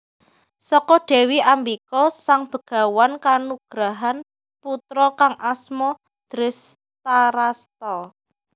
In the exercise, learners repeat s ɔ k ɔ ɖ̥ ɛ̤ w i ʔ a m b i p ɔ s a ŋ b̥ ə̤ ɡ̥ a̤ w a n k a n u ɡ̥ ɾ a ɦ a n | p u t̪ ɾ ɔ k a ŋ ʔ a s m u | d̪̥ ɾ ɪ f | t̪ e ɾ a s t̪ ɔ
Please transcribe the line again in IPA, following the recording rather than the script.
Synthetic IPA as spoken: s ɔ k ɔ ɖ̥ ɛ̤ w i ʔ a m b i k ɔ s a ŋ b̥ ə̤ ɡ̥ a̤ w a n k a n u ɡ̥ ɾ a ɦ a n | p u t̪ ɾ ɔ k a ŋ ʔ a s m ɔ | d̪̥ ɾ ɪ s | t̪ a ɾ a s t̪ ɔ